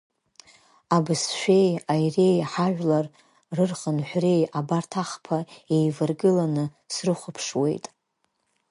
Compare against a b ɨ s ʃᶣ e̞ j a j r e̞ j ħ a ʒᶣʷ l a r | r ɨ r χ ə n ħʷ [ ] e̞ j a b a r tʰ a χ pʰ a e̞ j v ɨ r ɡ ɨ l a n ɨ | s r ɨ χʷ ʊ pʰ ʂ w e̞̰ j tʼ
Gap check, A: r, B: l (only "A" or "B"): A